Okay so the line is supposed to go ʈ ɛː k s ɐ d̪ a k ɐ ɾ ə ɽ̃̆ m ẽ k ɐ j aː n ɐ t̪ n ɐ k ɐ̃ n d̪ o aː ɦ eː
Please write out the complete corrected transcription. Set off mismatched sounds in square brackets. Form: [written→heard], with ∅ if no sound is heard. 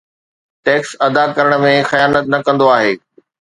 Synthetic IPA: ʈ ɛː k s ɐ d̪ a k ɐ ɾ ə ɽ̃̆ m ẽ [k→x] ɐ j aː n [ɐ→ə] t̪ n ɐ k ɐ̃ n d̪ o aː ɦ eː